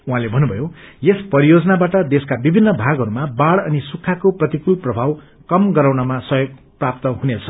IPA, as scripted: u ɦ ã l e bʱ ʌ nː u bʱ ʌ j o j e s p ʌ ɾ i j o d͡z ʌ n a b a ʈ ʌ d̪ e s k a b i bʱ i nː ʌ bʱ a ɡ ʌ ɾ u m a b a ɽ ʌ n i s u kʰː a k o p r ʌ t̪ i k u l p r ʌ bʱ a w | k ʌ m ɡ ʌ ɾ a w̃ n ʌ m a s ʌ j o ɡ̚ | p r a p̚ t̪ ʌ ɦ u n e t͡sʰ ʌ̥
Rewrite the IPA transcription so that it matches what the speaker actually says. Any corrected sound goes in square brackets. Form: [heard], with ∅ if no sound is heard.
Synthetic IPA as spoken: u ɦ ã l e bʱ ʌ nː u bʱ ʌ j o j e s p ʌ ɾ i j o d͡z ʌ n a b a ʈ ʌ d̪ e s k a b i bʱ i nː ʌ bʱ a ɡ ʌ ɾ u m a b a ɽ ʌ n i s u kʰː a k o p r ʌ t̪ i k u l p r ʌ bʱ a w | k ʌ m ɡ ʌ ɾ a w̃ n ʌ m a s ʌ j o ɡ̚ | p r a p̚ t̪ ʌ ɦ u n e t͡sʰ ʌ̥